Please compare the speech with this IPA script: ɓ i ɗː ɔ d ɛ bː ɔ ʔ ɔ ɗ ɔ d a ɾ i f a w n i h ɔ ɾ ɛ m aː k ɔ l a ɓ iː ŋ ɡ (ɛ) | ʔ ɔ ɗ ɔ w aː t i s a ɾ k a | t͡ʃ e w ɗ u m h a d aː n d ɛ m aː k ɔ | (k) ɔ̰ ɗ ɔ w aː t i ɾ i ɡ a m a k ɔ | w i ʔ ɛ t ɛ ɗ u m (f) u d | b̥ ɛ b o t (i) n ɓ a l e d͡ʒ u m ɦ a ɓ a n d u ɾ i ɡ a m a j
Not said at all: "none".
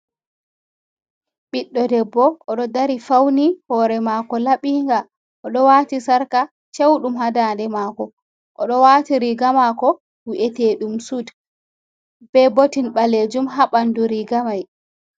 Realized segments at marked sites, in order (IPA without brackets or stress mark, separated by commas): a, ʔ, s, i